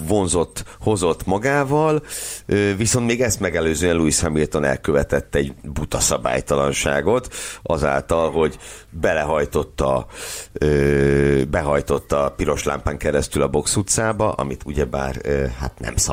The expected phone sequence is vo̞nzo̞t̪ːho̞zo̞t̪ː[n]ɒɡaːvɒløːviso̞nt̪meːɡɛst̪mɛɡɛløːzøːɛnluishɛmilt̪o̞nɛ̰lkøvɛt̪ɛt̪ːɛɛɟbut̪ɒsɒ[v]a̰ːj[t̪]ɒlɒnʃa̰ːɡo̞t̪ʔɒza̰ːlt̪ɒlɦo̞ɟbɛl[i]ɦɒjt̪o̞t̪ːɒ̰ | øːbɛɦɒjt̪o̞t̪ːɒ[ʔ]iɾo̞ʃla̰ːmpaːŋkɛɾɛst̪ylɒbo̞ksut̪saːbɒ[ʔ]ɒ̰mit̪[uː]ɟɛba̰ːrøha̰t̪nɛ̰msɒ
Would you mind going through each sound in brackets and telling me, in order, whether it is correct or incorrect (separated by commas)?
incorrect, incorrect, correct, incorrect, incorrect, correct, incorrect